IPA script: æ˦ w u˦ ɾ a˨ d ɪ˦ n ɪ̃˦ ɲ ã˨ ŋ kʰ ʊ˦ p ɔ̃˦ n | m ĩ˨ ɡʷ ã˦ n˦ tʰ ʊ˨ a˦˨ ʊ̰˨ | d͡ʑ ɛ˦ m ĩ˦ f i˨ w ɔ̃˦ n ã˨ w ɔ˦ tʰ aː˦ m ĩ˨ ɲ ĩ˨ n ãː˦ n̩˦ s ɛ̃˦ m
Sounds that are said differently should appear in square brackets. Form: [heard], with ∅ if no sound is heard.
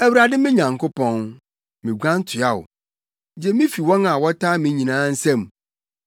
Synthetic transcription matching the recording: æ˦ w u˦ ɾ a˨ d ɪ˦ [m] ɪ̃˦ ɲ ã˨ ŋ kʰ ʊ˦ p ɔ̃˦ n | m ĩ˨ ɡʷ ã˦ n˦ tʰ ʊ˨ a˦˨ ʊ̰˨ | d͡ʑ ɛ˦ m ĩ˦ f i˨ w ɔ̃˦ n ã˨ w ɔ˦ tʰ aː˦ m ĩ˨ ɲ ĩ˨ n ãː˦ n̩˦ s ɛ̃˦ m